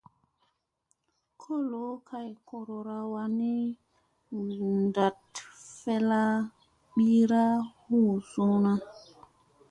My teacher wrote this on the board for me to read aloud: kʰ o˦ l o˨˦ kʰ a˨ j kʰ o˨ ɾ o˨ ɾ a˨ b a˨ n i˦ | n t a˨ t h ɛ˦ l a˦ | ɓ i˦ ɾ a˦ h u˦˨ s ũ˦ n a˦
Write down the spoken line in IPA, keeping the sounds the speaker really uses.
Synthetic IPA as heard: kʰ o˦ l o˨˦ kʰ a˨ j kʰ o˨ ɾ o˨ ɾ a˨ w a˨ n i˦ | n d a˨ t f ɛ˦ l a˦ | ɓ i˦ ɾ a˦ h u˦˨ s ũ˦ n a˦